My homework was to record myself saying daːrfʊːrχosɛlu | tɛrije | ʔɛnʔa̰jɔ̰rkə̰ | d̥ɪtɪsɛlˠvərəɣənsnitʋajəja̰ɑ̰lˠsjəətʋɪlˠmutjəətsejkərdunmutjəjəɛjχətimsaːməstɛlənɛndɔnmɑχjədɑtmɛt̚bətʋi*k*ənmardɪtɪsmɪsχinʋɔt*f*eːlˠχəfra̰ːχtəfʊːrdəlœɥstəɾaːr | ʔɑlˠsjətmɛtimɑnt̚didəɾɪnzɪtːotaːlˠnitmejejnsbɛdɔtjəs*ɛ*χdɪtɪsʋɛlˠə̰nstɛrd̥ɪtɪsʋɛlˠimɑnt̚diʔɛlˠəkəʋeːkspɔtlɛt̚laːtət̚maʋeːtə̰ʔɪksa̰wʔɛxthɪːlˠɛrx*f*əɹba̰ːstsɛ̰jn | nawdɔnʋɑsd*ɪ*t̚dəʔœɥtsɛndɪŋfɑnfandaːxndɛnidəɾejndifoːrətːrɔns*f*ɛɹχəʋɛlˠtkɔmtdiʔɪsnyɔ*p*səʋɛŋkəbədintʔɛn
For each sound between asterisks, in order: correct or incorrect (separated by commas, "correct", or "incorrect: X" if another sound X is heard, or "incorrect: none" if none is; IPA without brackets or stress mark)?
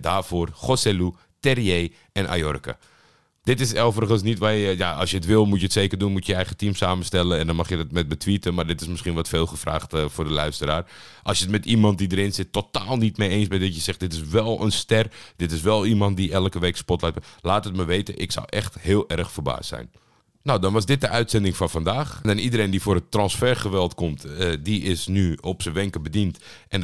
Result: incorrect: t, correct, correct, correct, correct, correct, correct